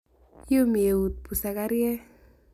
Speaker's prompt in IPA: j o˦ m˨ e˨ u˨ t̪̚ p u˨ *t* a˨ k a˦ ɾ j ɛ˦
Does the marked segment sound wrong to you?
yes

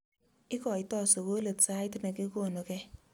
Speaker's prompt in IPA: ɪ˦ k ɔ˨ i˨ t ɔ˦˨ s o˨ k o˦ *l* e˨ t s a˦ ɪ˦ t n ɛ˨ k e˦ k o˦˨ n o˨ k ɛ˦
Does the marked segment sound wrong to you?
no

